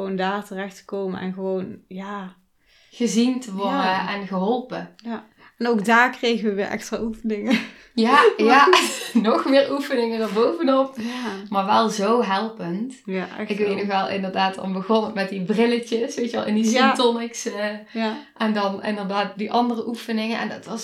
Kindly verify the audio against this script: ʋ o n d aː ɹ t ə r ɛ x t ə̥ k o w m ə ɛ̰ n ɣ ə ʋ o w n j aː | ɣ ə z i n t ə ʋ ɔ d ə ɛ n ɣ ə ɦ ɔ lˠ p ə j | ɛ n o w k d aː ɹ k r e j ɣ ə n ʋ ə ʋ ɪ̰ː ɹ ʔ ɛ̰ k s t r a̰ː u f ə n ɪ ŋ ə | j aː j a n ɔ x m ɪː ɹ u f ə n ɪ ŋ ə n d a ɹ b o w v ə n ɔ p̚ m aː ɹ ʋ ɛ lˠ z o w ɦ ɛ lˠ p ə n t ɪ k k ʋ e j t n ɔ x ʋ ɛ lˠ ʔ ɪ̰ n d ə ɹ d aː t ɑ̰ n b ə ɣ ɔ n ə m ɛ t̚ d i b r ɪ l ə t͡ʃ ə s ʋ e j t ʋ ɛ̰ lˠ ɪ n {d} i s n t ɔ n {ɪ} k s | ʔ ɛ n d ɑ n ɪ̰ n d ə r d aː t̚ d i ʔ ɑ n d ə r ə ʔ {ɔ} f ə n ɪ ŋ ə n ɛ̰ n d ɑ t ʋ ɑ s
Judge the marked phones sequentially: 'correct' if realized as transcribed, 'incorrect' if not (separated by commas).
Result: correct, correct, incorrect